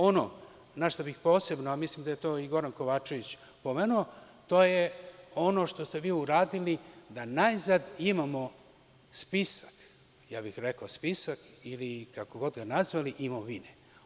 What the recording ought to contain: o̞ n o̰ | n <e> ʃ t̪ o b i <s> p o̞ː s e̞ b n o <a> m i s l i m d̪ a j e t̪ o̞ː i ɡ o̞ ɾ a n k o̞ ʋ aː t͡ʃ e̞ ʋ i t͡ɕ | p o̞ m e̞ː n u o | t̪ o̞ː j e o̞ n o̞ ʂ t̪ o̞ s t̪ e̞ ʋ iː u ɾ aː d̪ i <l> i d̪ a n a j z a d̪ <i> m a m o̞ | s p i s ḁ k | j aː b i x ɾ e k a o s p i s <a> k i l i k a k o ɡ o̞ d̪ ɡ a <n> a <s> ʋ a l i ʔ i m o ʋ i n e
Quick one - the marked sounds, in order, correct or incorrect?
incorrect: a, incorrect: x, correct, correct, correct, correct, correct, incorrect: z

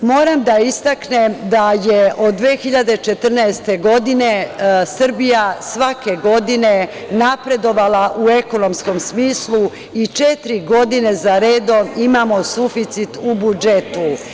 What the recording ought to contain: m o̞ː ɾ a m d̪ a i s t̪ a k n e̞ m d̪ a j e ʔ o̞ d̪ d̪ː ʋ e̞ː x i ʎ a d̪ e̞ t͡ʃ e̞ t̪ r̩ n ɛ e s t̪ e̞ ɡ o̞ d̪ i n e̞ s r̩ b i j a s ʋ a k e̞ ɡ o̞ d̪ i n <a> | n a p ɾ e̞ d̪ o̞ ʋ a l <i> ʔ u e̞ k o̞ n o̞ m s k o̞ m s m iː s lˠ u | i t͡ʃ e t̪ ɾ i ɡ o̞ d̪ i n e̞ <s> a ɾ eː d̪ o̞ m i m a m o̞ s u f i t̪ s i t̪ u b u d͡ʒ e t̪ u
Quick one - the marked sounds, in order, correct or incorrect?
incorrect: e, incorrect: a, incorrect: z

